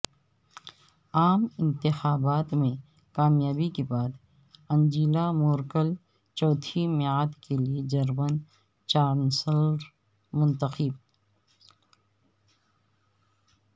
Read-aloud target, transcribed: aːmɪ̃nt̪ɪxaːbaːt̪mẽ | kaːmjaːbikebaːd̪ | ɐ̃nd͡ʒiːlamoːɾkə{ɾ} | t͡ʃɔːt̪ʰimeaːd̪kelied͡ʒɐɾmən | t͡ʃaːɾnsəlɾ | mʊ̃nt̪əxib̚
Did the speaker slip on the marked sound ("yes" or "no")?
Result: yes